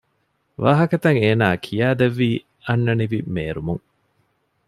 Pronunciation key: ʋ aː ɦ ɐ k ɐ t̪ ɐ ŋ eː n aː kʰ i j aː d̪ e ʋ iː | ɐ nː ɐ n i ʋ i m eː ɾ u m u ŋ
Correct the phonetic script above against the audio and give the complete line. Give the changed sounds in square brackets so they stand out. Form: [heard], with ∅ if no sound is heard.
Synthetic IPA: ʋ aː ɦ ɐ k ɐ t̪ ɐ ŋ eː n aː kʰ i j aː d̪ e [ʋː] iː | ɐ nː ɐ n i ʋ i m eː ɾ u m u ŋ